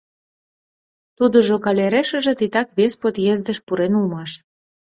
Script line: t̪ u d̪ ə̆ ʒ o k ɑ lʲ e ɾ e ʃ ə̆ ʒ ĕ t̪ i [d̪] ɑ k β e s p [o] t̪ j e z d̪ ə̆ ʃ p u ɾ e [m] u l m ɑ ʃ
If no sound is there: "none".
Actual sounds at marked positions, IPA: t̪, o, n

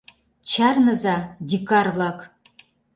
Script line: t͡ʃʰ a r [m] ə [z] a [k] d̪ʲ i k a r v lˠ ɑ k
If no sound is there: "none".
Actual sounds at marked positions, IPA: n, z, none

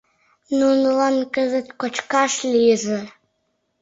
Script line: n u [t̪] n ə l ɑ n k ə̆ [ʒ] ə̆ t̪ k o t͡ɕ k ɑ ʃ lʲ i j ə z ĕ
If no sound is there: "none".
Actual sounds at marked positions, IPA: none, z

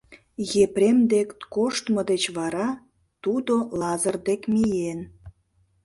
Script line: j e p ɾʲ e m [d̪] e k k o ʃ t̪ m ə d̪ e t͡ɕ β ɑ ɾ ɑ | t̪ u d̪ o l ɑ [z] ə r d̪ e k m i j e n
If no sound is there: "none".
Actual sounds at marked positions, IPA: d̪, z

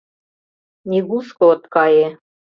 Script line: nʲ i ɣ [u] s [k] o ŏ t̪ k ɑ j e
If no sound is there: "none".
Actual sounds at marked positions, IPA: u, k

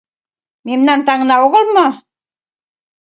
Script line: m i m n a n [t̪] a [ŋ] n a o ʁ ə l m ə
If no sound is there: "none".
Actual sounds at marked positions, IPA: t̪, ŋ

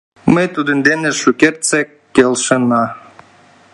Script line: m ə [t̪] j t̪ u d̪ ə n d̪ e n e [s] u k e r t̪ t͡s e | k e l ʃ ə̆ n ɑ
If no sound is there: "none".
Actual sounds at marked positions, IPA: none, ʃ

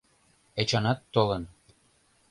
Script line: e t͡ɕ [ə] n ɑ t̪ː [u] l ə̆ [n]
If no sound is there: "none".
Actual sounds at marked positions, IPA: ɑ, o, n

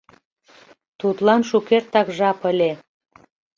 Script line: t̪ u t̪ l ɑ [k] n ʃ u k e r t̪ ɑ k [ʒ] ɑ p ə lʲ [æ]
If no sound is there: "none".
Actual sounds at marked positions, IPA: none, ʒ, e

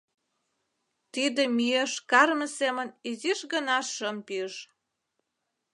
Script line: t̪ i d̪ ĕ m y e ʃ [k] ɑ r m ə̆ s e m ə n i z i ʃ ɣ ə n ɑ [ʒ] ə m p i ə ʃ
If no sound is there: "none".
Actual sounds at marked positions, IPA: k, ʃ

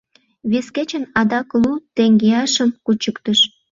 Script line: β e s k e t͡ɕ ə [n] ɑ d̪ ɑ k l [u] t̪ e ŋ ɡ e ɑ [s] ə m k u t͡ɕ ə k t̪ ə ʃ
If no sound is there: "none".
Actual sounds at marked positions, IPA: n, u, ʃ

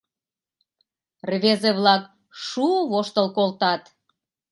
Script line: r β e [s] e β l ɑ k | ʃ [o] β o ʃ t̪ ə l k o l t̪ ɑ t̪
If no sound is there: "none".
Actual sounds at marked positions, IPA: z, u

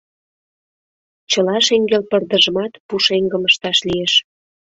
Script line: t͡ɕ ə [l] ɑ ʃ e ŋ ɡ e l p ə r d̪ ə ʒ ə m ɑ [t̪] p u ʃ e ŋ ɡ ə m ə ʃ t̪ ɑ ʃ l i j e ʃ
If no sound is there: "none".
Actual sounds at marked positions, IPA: l, t̪

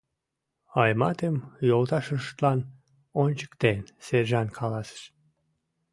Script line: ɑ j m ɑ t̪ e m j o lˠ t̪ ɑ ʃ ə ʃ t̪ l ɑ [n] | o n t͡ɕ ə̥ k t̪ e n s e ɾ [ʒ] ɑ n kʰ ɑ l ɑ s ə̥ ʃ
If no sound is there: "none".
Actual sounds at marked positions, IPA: n, ʒ

